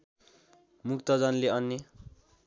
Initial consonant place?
labial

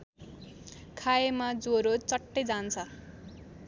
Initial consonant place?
velar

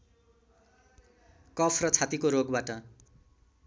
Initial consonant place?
velar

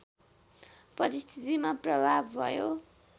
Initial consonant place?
labial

